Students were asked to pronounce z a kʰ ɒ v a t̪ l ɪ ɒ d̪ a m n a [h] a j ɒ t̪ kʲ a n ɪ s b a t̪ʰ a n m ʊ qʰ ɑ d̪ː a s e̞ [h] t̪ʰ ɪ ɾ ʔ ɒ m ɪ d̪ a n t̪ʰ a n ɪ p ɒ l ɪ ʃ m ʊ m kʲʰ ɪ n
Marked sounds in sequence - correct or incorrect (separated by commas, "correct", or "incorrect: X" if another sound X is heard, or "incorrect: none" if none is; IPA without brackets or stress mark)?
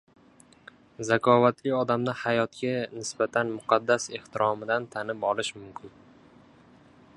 correct, correct